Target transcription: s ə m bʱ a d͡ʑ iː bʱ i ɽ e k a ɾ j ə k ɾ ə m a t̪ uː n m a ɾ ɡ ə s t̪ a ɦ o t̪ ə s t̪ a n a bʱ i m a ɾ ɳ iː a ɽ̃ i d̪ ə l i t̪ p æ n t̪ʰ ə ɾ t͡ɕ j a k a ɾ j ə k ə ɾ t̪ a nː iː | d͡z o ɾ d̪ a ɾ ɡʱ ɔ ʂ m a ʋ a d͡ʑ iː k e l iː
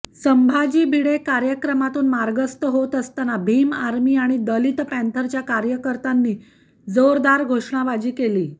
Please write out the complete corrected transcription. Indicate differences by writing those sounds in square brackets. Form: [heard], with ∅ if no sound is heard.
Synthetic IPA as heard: s ə m bʱ a d͡ʑ iː bʱ i ɽ e k a ɾ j ə k ɾ ə m a t̪ uː n m a ɾ ɡ ə s t̪ [ə] ɦ o t̪ ə s t̪ a n a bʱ i m a ɾ [m] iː a ɽ̃ i d̪ ə l i t̪ p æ n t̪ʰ ə ɾ t͡ɕ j a k a ɾ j ə k ə ɾ t̪ a nː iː | d͡z o ɾ d̪ a ɾ ɡʱ [o] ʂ [ɳ] a ʋ a d͡ʑ iː k e l iː

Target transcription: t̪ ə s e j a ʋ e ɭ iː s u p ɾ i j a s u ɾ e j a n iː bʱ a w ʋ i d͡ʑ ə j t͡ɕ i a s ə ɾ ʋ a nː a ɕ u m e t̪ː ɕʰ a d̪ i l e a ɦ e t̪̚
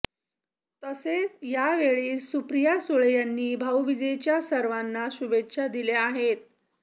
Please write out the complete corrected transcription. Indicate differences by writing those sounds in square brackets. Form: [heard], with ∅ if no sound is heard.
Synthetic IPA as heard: t̪ ə s e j a ʋ e ɭ iː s u p ɾ i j a s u [ɭ] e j a [nː] iː bʱ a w ʋ i d͡ʑ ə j t͡ɕ [j] a s ə ɾ ʋ a nː a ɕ u [b] e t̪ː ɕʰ a d̪ i l e a ɦ e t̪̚

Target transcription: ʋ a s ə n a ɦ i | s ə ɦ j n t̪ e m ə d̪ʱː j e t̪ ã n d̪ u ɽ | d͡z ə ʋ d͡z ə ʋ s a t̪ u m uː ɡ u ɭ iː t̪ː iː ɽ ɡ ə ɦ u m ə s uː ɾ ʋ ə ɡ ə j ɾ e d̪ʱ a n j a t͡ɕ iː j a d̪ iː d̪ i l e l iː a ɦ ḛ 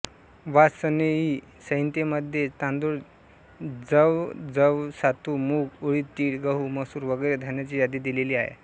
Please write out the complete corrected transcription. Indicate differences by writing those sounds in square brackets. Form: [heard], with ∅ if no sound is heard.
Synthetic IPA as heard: ʋ a s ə n [e] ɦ i | s ə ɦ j n t̪ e m ə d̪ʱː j e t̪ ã n d̪ u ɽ | d͡z ə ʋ d͡z ə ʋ s a t̪ u m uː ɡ u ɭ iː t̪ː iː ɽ ɡ ə ɦ u m ə s uː ɾ ʋ ə ɡ ə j ɾ e d̪ʱ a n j a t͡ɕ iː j a d̪ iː d̪ i l e l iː a ɦ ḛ

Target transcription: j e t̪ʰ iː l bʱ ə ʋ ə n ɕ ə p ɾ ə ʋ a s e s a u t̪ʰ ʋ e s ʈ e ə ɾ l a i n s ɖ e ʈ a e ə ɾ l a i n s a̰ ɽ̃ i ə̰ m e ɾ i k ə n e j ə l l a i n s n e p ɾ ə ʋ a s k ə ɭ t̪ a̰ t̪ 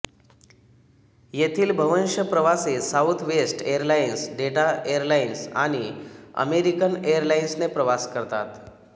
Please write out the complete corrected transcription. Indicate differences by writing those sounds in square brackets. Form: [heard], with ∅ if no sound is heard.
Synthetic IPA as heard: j e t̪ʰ iː l bʱ ə ʋ ə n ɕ ə p ɾ ə ʋ a s e s a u t̪ʰ ʋ e s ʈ e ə ɾ l a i n s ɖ e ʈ a e ə ɾ l a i n s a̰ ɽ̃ i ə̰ m e ɾ i k ə n e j ə [ɾ] l a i n s n e p ɾ ə ʋ a s k ə [ɾ] t̪ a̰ t̪

